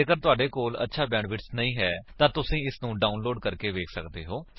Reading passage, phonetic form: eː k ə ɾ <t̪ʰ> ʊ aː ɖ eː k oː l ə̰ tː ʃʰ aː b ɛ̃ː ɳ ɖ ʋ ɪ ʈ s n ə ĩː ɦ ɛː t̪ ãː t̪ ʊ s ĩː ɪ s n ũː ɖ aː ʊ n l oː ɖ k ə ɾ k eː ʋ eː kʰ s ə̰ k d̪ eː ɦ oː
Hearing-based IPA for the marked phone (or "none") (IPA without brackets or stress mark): t̪